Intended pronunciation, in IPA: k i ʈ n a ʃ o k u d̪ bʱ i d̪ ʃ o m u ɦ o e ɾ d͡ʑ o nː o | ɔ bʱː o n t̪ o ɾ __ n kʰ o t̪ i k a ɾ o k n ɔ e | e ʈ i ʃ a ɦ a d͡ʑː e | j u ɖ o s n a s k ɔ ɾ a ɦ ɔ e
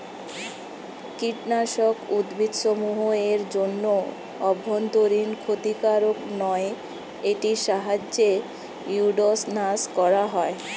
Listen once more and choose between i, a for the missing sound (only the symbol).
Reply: i